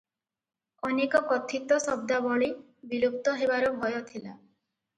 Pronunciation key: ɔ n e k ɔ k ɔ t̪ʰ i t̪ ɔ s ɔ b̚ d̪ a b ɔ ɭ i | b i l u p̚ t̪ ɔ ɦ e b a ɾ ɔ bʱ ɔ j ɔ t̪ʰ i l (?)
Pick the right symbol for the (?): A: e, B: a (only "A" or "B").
B